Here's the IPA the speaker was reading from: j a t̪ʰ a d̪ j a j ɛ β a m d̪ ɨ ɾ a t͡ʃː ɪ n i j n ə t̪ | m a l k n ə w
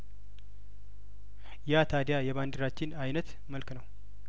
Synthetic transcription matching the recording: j a t̪ʰ a d̪ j a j ɛ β a n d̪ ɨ ɾ a t͡ʃː ɪ n a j n ə t̪ | m ə l k n ə w